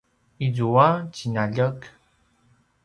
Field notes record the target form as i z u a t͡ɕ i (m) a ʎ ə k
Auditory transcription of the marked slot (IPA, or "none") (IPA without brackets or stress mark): n